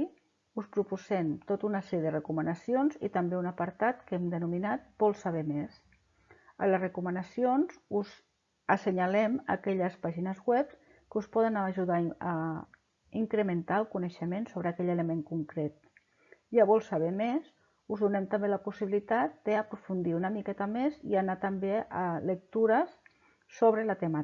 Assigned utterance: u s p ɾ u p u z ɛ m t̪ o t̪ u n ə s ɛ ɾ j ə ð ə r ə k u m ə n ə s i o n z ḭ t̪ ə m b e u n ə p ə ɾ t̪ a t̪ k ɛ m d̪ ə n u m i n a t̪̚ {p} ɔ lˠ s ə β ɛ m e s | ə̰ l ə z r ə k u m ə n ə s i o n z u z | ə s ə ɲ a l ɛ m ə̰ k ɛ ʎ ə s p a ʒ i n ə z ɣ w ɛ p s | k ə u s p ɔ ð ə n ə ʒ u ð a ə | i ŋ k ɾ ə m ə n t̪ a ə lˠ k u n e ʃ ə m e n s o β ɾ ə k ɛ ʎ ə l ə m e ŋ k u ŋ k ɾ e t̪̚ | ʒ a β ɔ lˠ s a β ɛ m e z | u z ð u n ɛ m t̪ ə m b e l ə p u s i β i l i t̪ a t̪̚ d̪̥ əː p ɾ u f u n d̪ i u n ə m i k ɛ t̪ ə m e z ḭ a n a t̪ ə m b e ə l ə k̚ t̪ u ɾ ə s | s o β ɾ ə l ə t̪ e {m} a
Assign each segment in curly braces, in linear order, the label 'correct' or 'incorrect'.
incorrect: b, correct

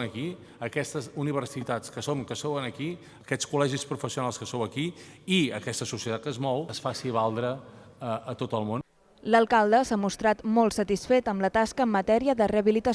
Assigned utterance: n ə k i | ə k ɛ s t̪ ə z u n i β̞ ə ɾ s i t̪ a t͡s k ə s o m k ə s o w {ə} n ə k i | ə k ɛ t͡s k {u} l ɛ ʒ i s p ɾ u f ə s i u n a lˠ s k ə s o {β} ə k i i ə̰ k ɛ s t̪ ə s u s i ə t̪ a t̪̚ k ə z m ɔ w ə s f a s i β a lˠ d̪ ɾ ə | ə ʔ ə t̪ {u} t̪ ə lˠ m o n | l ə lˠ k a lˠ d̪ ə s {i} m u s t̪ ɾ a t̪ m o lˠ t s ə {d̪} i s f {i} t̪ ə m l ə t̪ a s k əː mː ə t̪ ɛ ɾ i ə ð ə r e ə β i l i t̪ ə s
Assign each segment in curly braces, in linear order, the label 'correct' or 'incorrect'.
correct, correct, incorrect: w, incorrect: o, incorrect: a, incorrect: t̪, incorrect: e

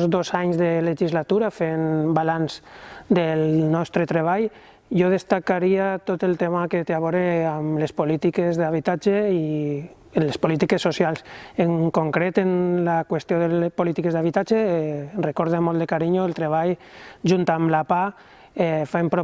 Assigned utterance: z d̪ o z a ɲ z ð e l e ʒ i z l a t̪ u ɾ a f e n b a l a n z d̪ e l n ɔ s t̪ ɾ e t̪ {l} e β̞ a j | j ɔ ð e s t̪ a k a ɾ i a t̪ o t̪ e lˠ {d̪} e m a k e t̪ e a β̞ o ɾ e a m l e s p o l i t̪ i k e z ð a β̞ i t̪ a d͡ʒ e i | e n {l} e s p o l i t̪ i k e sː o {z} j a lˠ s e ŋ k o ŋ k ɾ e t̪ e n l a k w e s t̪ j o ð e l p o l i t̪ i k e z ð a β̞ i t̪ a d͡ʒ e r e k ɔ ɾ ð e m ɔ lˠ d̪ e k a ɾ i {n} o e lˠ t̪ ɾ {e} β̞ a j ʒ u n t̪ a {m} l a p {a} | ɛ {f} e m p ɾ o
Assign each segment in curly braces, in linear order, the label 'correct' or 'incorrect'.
incorrect: ɾ, incorrect: t̪, correct, incorrect: s, incorrect: ɲ, correct, correct, correct, correct

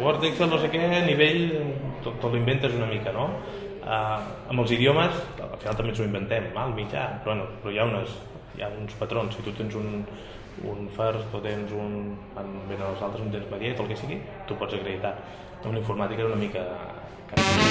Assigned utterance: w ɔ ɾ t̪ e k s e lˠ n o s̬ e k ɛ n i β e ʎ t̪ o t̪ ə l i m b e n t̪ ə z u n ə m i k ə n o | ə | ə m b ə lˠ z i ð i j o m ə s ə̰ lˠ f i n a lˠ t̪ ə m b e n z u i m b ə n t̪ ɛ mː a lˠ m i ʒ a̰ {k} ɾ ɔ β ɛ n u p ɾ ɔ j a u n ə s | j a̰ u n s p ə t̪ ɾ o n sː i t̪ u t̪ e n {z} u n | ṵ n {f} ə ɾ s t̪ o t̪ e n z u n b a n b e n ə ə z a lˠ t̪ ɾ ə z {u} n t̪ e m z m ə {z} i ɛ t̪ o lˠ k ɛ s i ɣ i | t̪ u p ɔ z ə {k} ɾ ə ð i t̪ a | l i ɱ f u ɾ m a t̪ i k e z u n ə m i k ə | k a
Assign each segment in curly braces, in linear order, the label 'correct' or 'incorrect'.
incorrect: p, correct, correct, correct, incorrect: ð, correct

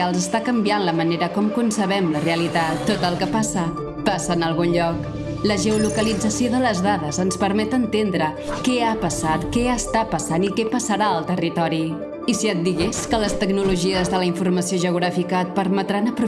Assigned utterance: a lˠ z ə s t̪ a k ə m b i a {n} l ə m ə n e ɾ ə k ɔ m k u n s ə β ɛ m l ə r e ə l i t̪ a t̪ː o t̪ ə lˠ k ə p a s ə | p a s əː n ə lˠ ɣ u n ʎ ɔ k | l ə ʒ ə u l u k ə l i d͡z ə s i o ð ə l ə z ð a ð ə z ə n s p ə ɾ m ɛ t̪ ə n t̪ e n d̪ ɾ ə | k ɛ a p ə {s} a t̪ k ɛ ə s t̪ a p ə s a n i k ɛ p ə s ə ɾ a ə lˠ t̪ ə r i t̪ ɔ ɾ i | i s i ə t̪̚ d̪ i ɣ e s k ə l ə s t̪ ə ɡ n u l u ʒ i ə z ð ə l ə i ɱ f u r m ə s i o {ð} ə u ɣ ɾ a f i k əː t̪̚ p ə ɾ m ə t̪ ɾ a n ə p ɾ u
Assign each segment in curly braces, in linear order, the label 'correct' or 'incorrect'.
correct, correct, incorrect: ʒ

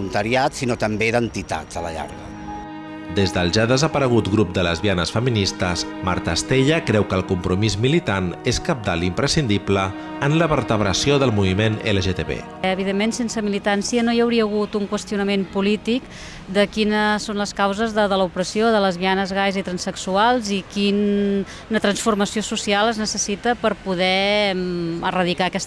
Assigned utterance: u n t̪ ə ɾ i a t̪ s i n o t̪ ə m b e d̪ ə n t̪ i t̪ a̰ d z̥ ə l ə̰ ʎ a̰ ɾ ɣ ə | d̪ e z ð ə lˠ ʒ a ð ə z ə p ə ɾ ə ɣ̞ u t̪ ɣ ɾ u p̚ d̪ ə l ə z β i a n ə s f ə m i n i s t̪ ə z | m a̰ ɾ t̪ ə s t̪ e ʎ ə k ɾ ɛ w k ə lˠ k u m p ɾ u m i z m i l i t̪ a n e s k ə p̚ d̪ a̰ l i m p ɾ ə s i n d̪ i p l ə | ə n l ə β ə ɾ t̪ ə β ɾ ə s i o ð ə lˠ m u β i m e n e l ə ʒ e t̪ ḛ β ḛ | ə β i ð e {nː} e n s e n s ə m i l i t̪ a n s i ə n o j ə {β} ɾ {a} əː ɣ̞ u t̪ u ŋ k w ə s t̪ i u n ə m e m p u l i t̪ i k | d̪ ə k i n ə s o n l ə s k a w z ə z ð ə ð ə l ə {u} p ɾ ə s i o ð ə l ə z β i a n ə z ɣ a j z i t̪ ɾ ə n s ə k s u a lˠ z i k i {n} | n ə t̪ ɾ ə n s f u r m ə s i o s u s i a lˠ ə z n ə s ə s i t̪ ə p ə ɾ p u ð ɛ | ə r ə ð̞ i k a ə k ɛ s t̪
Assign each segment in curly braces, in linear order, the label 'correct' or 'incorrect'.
incorrect: mː, incorrect: w, incorrect: i, correct, correct

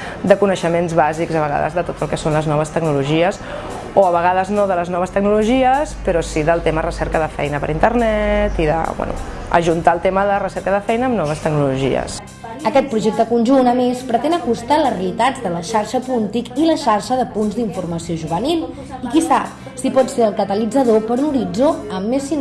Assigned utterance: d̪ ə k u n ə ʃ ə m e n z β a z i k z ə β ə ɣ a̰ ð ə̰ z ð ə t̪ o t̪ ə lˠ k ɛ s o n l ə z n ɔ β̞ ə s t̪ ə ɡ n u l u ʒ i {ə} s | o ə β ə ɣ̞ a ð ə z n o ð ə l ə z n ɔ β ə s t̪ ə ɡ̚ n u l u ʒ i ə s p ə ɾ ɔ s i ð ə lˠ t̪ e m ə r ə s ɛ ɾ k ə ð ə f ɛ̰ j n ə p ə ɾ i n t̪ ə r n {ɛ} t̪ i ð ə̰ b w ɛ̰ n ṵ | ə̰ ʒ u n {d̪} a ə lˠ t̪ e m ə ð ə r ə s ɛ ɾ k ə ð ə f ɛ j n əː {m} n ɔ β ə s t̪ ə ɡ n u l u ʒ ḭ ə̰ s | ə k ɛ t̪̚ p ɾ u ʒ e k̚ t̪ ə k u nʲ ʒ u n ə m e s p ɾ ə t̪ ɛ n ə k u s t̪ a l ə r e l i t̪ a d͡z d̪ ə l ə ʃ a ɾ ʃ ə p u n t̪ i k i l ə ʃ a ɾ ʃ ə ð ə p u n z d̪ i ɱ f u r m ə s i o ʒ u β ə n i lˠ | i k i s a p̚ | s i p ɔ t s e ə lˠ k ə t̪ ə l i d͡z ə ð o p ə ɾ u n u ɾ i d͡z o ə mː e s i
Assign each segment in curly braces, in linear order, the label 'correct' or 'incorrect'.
correct, correct, incorrect: t̪, correct

